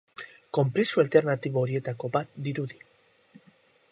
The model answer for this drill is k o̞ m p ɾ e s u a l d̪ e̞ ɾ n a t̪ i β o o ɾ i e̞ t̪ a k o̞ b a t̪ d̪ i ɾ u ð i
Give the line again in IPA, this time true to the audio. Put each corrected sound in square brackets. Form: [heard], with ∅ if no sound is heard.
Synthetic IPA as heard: k o̞ m p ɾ e s u a l [t̪] e̞ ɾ n a t̪ i β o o ɾ i e̞ t̪ a k o̞ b a t̪ d̪ i ɾ u ð i